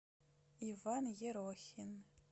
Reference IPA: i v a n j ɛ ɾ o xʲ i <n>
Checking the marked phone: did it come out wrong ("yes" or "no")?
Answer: no